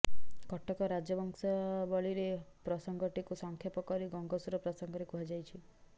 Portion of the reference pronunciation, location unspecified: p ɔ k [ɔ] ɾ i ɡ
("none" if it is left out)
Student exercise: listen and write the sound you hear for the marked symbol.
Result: ɔ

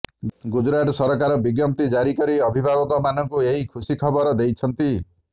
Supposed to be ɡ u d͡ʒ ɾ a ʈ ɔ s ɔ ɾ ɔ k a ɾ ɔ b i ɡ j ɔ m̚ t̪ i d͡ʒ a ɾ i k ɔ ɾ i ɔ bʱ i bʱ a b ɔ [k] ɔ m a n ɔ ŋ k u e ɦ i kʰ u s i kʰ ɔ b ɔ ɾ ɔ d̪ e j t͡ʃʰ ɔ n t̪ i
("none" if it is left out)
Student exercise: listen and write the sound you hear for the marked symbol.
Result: k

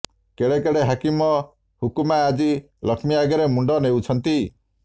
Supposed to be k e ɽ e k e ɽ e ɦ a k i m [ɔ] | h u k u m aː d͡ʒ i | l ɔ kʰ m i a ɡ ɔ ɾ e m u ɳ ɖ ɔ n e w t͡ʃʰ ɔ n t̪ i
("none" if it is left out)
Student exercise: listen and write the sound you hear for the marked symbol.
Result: ɔ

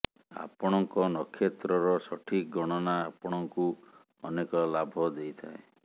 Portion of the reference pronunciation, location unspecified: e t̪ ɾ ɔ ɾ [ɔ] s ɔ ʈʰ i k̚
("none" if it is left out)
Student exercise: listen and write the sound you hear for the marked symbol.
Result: ɔ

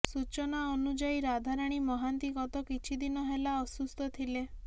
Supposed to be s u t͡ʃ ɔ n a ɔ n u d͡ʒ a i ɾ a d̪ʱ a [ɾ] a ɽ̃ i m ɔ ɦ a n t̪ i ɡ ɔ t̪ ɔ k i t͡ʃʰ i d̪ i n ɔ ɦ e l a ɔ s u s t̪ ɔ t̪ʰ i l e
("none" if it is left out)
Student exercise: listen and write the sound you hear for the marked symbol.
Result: ɾ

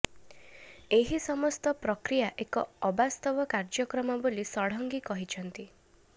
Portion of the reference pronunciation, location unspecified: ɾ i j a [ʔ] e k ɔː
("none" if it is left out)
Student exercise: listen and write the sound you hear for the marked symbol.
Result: ʔ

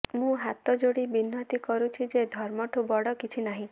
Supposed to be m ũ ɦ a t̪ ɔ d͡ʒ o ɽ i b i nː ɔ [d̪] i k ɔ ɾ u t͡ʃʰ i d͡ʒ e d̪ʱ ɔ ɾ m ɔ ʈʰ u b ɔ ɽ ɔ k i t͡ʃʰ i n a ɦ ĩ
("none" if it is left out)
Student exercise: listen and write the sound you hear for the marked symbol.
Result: t̪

